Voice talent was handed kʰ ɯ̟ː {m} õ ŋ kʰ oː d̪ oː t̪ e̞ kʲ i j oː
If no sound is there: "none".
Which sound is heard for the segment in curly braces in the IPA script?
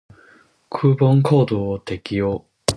b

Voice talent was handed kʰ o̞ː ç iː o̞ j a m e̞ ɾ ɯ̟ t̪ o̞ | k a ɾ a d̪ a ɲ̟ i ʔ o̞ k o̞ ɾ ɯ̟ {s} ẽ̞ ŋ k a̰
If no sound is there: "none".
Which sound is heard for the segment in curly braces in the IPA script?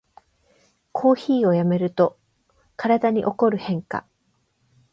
h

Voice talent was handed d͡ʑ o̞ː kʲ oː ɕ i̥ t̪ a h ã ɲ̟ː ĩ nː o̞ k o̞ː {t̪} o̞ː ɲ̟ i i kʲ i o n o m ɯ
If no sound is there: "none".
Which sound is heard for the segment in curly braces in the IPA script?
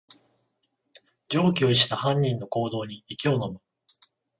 d̪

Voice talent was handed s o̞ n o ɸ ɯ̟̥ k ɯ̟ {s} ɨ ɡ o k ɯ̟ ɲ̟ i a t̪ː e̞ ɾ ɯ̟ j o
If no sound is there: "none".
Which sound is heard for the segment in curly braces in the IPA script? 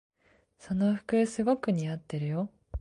s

